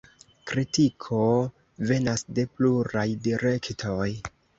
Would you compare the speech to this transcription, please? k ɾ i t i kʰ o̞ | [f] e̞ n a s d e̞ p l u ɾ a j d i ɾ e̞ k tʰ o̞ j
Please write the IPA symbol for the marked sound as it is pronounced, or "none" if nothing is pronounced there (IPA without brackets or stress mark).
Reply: v